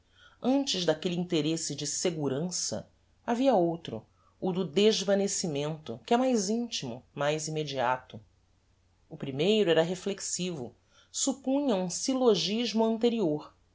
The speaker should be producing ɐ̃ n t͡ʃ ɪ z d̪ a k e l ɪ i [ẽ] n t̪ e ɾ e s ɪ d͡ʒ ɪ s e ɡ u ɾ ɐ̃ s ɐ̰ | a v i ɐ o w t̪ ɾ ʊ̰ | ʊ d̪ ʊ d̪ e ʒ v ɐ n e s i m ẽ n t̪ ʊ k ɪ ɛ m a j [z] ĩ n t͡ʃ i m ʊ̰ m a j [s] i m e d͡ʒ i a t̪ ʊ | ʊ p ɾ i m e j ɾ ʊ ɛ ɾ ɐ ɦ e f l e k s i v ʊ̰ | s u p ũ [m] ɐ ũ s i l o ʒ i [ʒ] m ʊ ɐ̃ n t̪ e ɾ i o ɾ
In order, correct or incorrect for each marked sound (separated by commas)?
incorrect, correct, incorrect, incorrect, correct